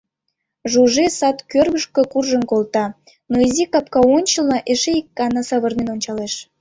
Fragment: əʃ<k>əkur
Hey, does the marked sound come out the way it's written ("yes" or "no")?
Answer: yes